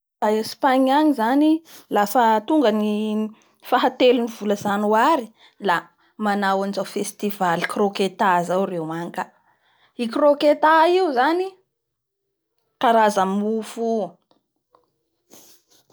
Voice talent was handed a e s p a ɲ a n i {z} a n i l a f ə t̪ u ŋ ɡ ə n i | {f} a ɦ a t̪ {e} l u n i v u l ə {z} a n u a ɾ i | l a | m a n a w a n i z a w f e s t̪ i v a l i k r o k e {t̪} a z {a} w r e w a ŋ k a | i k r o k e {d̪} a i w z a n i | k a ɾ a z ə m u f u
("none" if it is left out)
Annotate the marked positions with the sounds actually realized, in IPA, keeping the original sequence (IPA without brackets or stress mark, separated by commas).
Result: z, f, e, z, t̪, a, t̪